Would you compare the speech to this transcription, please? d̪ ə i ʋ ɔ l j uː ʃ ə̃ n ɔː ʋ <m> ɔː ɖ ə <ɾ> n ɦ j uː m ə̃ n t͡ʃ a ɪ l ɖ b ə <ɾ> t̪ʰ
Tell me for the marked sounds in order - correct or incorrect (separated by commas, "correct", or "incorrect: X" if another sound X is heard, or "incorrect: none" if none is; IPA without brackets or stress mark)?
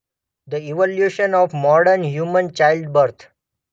correct, correct, correct